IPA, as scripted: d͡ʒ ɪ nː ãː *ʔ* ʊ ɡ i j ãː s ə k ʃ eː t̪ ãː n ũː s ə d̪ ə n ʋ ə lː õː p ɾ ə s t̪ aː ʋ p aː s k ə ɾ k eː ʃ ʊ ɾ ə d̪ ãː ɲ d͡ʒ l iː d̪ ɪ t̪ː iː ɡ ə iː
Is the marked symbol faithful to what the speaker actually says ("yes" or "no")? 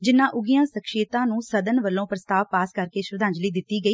yes